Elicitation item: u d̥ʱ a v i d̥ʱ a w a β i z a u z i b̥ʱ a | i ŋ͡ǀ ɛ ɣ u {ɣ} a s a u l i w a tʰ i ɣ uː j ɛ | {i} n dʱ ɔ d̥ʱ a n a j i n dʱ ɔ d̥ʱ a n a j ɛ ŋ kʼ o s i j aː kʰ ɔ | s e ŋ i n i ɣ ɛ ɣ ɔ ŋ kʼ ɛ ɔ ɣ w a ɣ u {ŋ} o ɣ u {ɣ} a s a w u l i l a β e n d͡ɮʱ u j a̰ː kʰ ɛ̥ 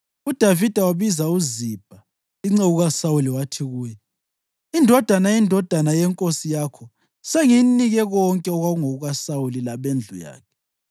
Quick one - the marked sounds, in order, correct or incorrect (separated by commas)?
correct, correct, correct, correct